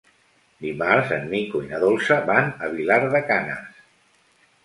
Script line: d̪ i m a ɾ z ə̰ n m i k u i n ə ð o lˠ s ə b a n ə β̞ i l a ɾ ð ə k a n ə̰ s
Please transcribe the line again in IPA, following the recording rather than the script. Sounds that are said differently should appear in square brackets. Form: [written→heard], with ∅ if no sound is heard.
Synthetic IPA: d̪ i m a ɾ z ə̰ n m i k u i n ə ð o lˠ s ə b a n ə β̞ i l a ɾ ð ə k a n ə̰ s